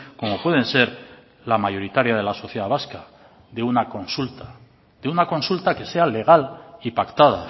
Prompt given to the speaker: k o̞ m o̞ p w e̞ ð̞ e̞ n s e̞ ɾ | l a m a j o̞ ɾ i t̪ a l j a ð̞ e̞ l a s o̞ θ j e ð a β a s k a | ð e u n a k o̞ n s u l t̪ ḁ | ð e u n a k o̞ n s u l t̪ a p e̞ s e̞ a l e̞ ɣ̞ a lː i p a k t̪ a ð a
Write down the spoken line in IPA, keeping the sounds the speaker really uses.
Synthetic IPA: k o̞ m o̞ p w e̞ ð̞ e̞ n s e̞ ɾ | l a m a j o̞ ɾ i t̪ a ɾ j a ð̞ e̞ l a s o̞ θ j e ð a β a s k a | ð e u n a k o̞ n s u l t̪ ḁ | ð e u n a k o̞ n s u l t̪ a k e̞ s e̞ a l e̞ ɣ̞ a l i p a k t̪ a ð a